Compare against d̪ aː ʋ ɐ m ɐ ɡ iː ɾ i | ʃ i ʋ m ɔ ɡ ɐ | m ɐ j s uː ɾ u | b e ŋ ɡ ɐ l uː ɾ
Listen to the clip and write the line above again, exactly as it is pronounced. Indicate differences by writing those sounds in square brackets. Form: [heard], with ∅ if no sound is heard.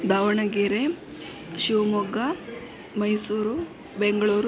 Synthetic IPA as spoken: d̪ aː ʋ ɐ [ɳ] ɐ ɡ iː ɾ [e] | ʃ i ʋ m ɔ ɡ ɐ | m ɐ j s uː ɾ u | b e ŋ ɡ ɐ [ɭ] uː ɾ